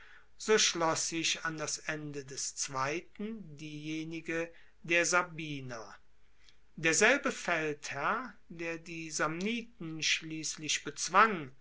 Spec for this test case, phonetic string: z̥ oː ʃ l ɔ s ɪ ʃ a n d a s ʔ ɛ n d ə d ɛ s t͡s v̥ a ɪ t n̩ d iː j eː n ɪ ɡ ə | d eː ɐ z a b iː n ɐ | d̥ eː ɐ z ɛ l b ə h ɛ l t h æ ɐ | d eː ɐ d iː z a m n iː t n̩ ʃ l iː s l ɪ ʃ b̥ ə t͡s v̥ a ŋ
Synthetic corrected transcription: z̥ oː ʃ l ɔ s ɪ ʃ a n d a s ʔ ɛ n d ə d ɛ s t͡s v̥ a ɪ t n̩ d iː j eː n ɪ ɡ ə | d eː ɐ z a b iː n ɐ | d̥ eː ɐ z ɛ l b ə f ɛ l t h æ ɐ | d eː ɐ d iː z a m n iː t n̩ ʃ l iː s l ɪ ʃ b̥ ə t͡s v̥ a ŋ